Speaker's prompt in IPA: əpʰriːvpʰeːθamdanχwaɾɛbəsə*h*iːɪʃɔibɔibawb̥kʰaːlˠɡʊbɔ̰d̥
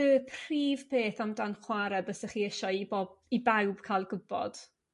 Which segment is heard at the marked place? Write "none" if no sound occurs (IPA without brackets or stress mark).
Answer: χ